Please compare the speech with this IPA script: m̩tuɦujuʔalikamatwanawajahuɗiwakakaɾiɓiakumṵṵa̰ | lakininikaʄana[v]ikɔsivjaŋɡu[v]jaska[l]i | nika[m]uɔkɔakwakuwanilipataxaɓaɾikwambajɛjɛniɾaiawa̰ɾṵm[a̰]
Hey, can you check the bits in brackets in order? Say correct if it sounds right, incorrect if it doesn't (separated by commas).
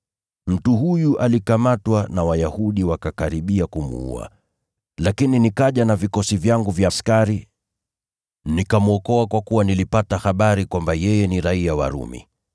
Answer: correct, correct, incorrect, correct, incorrect